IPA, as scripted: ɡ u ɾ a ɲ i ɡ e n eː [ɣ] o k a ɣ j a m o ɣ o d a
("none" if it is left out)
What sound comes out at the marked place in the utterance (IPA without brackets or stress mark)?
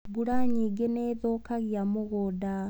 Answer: ð